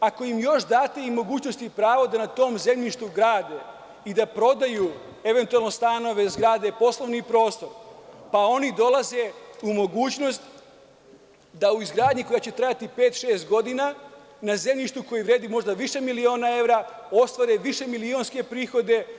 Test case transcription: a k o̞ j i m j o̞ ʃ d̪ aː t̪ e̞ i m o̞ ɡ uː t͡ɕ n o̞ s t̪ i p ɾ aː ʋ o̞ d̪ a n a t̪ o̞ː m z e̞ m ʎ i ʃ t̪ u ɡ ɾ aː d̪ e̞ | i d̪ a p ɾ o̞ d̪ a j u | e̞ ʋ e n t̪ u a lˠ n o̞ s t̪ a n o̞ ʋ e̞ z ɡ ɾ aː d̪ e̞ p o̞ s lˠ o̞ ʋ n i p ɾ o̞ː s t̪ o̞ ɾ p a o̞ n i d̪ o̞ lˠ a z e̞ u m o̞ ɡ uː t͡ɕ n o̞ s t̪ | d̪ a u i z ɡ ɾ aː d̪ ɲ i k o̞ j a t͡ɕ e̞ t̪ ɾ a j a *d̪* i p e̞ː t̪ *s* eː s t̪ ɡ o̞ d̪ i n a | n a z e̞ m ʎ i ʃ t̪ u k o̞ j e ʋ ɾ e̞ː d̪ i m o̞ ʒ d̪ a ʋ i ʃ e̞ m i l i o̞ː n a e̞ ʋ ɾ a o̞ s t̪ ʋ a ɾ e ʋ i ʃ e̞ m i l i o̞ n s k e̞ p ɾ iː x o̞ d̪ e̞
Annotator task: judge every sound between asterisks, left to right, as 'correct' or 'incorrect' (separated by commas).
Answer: incorrect, incorrect